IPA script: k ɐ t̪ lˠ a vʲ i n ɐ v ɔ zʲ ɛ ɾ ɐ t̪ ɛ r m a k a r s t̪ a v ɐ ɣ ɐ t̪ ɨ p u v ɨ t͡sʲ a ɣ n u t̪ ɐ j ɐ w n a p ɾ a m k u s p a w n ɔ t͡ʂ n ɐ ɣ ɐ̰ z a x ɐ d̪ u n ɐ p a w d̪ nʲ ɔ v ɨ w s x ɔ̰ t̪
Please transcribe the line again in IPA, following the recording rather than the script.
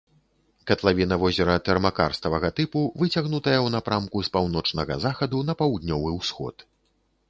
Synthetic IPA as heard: k ɐ t̪ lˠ a vʲ i n ɐ v ɔ zʲ ɛ ɾ ɐ t̪ ɛ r m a k a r s t̪ ɐ v ɐ ɣ ɐ t̪ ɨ p u v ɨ t͡sʲ a ɣ n u t̪ ɐ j ɐ w n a p ɾ a m k u s p a w n ɔ t͡ʂ n ɐ ɣ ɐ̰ z a x ɐ d̪ u n ɐ p a w d̪ nʲ ɔ v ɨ w s x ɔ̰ t̪